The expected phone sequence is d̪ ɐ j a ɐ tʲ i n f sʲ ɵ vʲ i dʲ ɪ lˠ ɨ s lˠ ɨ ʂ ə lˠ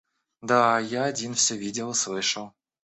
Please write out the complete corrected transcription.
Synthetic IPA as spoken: d̪ a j a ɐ dʲ i n f sʲ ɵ vʲ i dʲ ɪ lˠ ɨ s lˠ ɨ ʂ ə lˠ